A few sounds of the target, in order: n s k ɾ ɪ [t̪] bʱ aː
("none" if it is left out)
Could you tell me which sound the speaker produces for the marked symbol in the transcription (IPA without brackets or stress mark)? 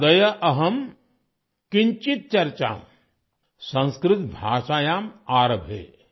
t̪